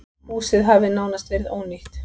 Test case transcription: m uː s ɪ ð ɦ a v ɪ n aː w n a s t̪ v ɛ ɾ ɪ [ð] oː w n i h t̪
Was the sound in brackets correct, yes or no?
yes